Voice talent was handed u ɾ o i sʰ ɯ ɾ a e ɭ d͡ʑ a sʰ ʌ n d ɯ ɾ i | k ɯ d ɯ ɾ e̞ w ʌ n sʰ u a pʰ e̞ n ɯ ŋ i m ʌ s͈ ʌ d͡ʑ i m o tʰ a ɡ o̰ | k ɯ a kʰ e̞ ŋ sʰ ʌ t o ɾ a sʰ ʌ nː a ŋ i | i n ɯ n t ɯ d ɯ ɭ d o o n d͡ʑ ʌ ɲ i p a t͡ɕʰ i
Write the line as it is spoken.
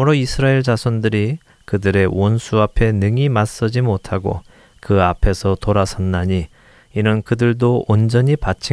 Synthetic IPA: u ɾ o i sʰ ɯ ɾ a e ɭ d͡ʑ a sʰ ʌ n d ɯ ɾ i | k ɯ d ɯ ɾ e̞ w ʌ n sʰ u a pʰ e̞ n ɯ ŋ i m a s͈ ʌ d͡ʑ i m o tʰ a ɡ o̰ | k ɯ a pʰ e̞ sʰ ʌ t o ɾ a sʰ ʌ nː a ɲ i | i n ɯ n k ɯ d ɯ ɭ d o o n d͡ʑ ʌ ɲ i p a t͡ɕʰ i